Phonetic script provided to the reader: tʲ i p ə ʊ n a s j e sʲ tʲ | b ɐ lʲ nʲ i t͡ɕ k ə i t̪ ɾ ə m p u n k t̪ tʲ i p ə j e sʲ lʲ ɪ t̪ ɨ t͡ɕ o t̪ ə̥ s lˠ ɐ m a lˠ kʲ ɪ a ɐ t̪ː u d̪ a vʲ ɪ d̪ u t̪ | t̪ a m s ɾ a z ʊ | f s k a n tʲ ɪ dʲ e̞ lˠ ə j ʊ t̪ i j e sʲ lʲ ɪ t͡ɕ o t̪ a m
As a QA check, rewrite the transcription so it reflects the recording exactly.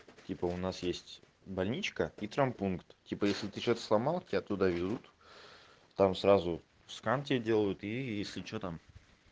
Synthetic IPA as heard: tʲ i p ə ʊ n a s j e sʲ tʲ | b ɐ lʲ nʲ i t͡ɕ k ə i t̪ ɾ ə m p u n k t̪ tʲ i p ə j e sʲ lʲ ɪ t̪ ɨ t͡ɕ o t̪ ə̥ s lˠ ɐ m a lˠ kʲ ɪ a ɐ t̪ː u d̪ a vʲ ɪ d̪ u t̪ | t̪ a m s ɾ a z ʊ | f s k a n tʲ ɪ dʲ e̞ lˠ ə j ʊ t̪ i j e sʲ lʲ ɪ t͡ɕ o t̪ a m